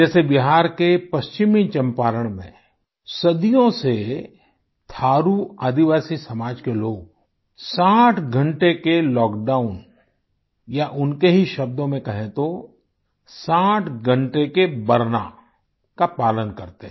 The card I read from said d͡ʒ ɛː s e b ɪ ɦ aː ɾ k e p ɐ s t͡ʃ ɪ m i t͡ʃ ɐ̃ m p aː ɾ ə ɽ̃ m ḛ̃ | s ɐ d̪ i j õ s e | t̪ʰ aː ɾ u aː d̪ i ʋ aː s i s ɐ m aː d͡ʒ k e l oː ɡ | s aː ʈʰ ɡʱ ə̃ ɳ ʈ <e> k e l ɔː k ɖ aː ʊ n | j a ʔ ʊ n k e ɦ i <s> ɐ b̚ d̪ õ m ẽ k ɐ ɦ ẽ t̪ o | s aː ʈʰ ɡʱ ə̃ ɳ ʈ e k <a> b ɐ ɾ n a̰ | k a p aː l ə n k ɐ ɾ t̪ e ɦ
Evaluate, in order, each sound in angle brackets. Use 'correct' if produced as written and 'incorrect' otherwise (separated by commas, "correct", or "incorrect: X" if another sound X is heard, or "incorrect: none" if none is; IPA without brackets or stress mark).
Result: correct, incorrect: ʃ, incorrect: e